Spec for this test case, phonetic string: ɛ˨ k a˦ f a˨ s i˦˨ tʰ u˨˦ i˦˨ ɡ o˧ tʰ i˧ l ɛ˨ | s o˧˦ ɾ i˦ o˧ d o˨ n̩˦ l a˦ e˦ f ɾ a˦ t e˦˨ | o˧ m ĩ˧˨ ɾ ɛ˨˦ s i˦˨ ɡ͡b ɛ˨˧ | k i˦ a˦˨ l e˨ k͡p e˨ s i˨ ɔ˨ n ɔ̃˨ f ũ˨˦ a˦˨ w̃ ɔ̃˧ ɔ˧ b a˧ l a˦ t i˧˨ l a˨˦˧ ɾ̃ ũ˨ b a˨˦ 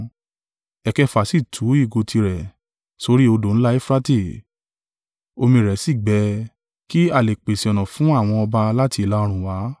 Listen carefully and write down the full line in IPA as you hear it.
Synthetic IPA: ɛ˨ k ɛ˦ f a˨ s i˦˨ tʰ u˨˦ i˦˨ ɡ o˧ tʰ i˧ ɾ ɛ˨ | s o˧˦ ɾ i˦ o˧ d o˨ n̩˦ l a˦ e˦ f ɾ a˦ t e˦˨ | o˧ m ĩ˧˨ ɾ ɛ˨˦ s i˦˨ ɡ͡b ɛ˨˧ | k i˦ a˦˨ l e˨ k͡p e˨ s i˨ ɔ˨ n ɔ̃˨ f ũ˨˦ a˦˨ w̃ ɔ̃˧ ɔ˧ b a˧ l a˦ t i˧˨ l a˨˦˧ ɾ̃ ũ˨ w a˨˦